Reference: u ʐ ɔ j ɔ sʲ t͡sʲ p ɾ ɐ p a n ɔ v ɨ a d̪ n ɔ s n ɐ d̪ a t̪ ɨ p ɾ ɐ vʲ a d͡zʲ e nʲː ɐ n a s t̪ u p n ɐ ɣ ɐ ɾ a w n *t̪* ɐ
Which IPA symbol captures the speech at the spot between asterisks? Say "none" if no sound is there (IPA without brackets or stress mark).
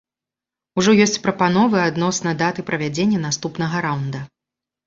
d̪